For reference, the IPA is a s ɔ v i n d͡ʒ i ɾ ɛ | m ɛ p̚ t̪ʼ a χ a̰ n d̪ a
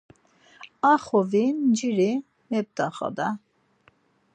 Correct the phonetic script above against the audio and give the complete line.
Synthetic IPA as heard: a χ ɔ v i n d͡ʒ i ɾ i | m ɛ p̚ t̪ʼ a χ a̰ d̪ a